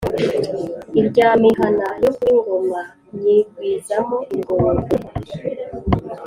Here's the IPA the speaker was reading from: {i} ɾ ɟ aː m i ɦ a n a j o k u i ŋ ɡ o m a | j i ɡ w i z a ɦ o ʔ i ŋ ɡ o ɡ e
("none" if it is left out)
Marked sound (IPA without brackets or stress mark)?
i